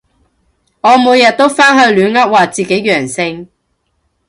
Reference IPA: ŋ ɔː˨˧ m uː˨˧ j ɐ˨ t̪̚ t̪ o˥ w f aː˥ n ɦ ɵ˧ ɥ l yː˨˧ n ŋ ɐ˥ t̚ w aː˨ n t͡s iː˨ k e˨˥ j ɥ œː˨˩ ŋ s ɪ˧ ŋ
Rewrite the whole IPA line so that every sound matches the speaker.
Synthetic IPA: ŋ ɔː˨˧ m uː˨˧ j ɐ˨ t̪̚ t̪ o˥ w f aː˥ n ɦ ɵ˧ ɥ l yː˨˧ n ŋ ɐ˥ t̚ w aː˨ t͡s iː˨ k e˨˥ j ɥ œː˨˩ ŋ s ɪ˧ ŋ